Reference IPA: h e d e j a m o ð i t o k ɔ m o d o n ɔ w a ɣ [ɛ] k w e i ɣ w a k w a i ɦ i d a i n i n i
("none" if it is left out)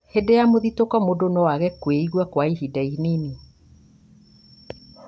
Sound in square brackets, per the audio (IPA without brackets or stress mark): ɛ